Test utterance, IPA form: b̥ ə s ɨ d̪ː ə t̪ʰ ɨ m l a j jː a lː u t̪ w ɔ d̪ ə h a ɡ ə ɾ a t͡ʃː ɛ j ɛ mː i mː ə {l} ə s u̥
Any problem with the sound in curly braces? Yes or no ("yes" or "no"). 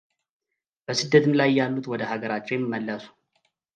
yes